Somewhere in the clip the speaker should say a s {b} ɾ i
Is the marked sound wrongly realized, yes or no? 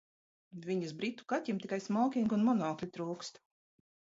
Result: no